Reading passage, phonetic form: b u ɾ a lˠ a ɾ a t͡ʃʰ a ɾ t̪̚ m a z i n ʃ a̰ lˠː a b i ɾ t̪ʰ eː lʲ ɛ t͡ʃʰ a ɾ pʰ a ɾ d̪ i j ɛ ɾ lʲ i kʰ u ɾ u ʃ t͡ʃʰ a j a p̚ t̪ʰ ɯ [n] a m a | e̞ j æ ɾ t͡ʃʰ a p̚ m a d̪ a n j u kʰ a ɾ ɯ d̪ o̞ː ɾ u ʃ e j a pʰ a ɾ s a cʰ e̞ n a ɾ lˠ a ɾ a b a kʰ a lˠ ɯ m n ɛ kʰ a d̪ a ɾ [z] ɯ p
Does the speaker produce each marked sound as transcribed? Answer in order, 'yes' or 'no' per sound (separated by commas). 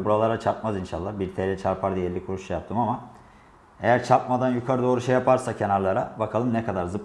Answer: no, yes